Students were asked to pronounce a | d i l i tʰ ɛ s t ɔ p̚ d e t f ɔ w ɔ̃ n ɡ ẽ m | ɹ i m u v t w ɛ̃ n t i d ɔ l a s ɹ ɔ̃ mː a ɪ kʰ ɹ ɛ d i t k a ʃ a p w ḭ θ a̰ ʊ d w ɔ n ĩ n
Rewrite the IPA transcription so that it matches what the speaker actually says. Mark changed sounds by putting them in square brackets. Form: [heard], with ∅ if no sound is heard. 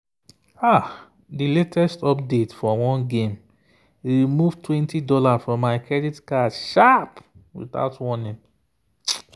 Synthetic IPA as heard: a | d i l [e] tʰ ɛ s t ɔ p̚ d e t f ɔ w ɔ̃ n ɡ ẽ m | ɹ i m u v t w ɛ̃ n t i d ɔ l a [f] ɹ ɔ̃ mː a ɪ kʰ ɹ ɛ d i t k a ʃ a p w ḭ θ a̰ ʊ [t] w ɔ n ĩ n